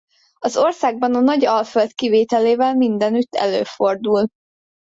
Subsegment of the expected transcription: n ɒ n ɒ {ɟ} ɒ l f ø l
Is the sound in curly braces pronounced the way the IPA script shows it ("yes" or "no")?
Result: yes